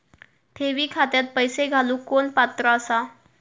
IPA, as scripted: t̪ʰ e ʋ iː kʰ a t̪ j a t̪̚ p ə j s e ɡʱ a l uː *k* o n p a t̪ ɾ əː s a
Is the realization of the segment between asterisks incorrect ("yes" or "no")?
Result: no